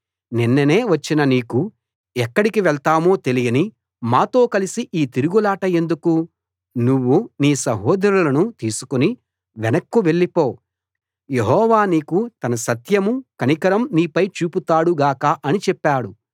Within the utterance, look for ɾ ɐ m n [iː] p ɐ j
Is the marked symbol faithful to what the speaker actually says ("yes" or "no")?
yes